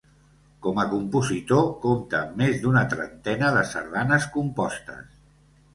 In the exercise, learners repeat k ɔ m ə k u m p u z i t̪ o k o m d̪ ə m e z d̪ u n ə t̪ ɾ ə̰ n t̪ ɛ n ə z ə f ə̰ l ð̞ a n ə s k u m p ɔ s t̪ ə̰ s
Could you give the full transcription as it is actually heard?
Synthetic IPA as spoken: k ɔ m ə k u m p u z i t̪ o k o m t̪ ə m e z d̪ u n ə t̪ ɾ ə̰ n t̪ ɛ n ə ð ə s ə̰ ɾ ð̞ a n ə s k u m p ɔ s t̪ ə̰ s

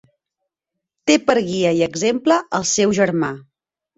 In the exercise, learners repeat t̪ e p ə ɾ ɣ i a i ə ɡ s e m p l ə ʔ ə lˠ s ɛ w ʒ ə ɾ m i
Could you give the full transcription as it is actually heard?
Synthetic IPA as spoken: t̪ e p ə ɾ ɣ i ə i ə ɡ z e m p l ə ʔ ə lˠ s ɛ w ʒ ə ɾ m a

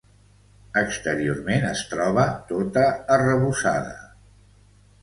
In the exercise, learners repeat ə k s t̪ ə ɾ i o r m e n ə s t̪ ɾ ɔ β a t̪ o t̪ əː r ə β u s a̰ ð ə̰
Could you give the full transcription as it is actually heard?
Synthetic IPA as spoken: ə k s t̪ ə ɾ i o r m e n ə s t̪ ɾ ɔ β ə t̪ o t̪ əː r ə β u s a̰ ð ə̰

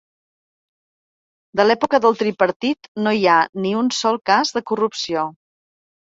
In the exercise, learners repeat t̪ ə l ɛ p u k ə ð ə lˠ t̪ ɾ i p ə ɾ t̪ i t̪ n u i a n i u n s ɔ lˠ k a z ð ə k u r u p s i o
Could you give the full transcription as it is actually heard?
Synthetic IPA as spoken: d̪ ə l ɛ p u k ə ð ə lˠ t̪ ɾ i p ə ɾ t̪ i t̪ n o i a n i u n s ɔ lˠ k a z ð ə k u r u p s i o

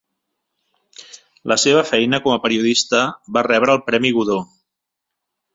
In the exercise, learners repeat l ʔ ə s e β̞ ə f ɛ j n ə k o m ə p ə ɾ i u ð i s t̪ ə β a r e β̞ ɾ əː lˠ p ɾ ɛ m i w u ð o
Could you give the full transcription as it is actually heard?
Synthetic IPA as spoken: l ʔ ə s e β̞ ə f ɛ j n ə k ɔ m ə p ə ɾ i u ð i s t̪ ə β a r ɛ β̞ ɾ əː lˠ p ɾ ɛ m i ɣ u ð o

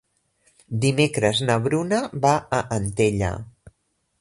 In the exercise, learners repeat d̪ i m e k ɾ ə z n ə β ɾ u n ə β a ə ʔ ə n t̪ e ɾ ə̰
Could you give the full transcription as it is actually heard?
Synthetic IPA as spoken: d̪ i m e k ɾ ə z n ə β ɾ u n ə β a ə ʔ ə n t̪ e ʎ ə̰

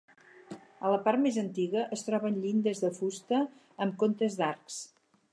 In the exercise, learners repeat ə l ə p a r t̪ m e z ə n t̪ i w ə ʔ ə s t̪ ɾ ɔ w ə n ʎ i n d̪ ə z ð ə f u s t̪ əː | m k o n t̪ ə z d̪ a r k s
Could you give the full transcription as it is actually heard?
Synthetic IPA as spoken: ə l ə p a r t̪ m e z ə n t̪ i ɣ ə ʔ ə s t̪ ɾ ɔ β ə n ʎ i n d̪ ə z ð ə f u s t̪ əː | m k o n t̪ ə z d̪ a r k s

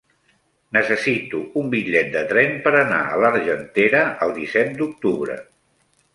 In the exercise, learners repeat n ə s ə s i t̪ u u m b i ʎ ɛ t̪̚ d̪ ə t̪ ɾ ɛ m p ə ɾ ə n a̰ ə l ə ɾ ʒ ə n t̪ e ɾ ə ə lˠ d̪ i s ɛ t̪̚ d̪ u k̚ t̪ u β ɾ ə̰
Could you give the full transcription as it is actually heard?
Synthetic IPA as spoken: n ə s ə s i t̪ u u m b i ʎ ɛ t̪̚ d̪ ə t̪ ɾ ɛ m p ə ɾ ə n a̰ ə l ə ɾ ʒ ə n t̪ e ɾ ə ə lˠ d̪ i s ɛ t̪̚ d̪ u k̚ t̪ u β ɾ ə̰

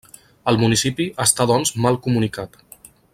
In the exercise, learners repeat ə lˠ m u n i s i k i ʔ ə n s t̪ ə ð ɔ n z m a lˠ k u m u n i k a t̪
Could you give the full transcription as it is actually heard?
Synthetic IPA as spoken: ə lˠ m u n i s i p i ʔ ə s t̪ a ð ɔ n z m a lˠ k u m u n i k a t̪

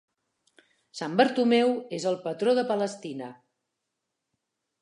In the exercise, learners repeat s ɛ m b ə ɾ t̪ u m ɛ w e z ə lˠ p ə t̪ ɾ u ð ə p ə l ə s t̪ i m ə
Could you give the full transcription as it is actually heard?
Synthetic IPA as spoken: s a m b ə ɾ t̪ u m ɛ w e z ə lˠ p ə t̪ ɾ o ð ə p ə l ə s t̪ i n ə

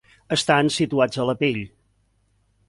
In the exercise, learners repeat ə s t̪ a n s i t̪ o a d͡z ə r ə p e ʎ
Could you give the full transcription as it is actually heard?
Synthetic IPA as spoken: ə s t̪ a n s i t̪ u a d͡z ə l ə p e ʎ

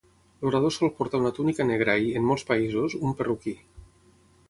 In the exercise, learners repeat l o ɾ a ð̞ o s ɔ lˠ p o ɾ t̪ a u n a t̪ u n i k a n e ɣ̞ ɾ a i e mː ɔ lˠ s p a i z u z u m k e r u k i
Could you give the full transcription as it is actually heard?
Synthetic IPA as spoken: l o ɾ a ð̞ o s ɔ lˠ p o ɾ t̪ a u n a t̪ u n i k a n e ɣ̞ ɾ a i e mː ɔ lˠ s p a i z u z u m p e r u k i

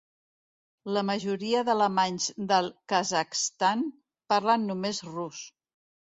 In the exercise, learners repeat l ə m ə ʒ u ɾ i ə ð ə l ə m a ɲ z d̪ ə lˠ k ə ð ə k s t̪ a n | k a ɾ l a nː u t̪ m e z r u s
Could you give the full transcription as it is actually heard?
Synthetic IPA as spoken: l ə m ə ʒ u ɾ i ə ð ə l ə m a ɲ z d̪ ə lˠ k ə z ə k s t̪ a n | p a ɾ l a nː u m e z r u s

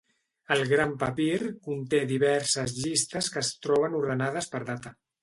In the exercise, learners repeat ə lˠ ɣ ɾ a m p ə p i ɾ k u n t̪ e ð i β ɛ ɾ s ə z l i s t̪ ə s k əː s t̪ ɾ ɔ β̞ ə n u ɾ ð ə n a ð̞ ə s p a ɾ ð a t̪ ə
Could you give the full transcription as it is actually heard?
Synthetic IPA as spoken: ə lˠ ɣ ɾ a m p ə p i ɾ k u n t̪ e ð i β ɛ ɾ s ə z ʎ i s t̪ ə s k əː s t̪ ɾ ɔ β̞ ə n u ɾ ð ə n a ð̞ ə s p ə ɾ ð a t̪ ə

